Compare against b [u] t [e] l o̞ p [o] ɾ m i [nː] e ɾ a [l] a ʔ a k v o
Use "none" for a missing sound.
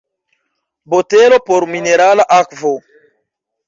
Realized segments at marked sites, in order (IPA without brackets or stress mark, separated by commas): o, e, o, n, l